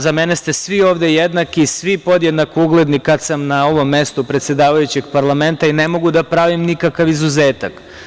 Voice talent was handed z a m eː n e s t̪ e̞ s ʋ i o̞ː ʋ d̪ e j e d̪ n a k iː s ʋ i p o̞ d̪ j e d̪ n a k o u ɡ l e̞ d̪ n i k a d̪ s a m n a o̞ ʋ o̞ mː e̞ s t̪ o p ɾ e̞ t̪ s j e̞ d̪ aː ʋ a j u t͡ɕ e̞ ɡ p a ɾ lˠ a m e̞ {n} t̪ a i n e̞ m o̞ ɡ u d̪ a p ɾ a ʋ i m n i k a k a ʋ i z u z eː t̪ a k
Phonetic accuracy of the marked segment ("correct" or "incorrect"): correct